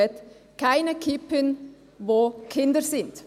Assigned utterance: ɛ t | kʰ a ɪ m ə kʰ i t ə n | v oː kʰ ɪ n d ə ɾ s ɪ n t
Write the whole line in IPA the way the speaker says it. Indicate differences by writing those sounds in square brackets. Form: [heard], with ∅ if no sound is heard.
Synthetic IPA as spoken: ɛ t | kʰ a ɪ [n] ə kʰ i [p] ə n | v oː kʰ ɪ n d ə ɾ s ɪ n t